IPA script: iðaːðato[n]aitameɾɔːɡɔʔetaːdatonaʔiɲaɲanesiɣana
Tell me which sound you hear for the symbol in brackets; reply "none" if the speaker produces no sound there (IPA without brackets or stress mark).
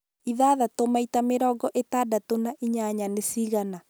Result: m